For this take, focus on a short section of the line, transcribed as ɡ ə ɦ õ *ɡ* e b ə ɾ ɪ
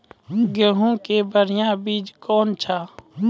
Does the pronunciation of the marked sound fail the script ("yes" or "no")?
yes